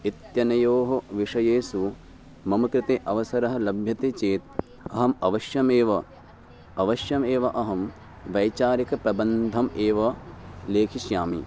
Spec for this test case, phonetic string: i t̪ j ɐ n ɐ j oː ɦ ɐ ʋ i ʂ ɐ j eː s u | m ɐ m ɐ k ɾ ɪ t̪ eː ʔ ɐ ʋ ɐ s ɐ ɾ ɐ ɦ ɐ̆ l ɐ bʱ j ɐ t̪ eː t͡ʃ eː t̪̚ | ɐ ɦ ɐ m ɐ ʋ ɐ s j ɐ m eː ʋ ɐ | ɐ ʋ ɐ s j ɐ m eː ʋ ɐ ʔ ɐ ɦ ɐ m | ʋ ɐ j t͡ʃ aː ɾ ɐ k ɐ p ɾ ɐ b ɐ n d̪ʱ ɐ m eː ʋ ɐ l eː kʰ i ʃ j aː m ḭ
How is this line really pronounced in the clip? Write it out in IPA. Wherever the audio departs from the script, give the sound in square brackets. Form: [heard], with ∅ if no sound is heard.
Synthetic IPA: i t̪ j ɐ n ɐ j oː ɦ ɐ ʋ i ʂ ɐ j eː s u | m ɐ m ɐ k ɾ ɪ t̪ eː ʔ ɐ ʋ ɐ s ɐ ɾ ɐ ɦ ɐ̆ l ɐ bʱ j ɐ t̪ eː t͡ʃ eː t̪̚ | ɐ ɦ ɐ m ɐ ʋ ɐ [ʃ] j ɐ m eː ʋ ɐ | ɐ ʋ ɐ [ʃ] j ɐ m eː ʋ ɐ ʔ ɐ ɦ ɐ m | ʋ ɐ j t͡ʃ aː ɾ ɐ k ɐ p ɾ ɐ b ɐ n d̪ʱ ɐ m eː ʋ ɐ l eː kʰ i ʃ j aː m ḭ